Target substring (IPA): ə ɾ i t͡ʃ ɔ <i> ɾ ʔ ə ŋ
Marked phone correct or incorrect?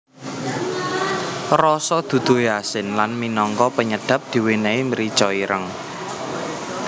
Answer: correct